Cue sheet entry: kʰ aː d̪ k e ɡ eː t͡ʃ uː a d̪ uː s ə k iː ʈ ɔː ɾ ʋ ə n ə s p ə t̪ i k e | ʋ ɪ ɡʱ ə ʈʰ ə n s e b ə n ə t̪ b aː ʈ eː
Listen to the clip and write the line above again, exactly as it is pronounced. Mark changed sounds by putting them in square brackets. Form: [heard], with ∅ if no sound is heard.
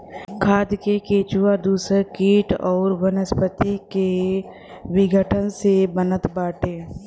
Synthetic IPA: kʰ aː d̪ k e [k] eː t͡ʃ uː a d̪ uː s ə k iː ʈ ɔː ɾ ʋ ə n ə s p ə t̪ i k e | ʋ ɪ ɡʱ ə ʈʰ ə n s e b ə n ə t̪ b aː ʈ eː